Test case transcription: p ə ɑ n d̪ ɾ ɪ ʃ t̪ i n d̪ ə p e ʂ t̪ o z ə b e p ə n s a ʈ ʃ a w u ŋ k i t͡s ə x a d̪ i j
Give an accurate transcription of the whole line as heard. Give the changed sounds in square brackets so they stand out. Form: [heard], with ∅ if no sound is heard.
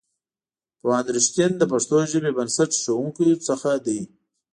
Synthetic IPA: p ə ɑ n d̪ ɾ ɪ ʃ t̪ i n d̪ ə p [a] ʂ t̪ o [ʒ] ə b e [b] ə n s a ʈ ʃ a w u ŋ k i t͡s ə x a d̪ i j